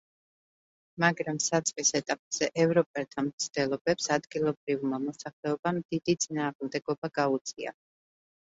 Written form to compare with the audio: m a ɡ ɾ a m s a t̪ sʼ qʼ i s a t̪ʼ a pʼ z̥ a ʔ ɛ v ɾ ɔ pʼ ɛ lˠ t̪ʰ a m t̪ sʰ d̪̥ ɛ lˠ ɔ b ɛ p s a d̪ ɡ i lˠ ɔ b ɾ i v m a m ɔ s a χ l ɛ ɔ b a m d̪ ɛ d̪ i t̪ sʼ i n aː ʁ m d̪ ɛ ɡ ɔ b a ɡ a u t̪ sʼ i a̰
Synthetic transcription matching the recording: m a ɡ ɾ a m s a t̪ sʼ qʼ i s ɛ t̪ʼ a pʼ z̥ ɛ ʔ ɛ v ɾ ɔ pʼ ɛ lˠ t̪ʰ a m t̪ sʰ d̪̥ ɛ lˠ ɔ b ɛ p s a d̪ ɡ i lˠ ɔ b ɾ i v m a m ɔ s a χ l ɛ ɔ b a m d̪ i d̪ i t̪ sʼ i n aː ʁ m d̪ ɛ ɡ ɔ b a ɡ a u t̪ sʼ i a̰